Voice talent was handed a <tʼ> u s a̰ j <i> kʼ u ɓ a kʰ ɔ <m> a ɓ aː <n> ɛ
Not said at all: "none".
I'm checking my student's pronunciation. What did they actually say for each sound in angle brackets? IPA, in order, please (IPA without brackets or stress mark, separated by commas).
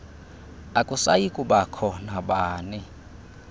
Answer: kʼ, i, n, n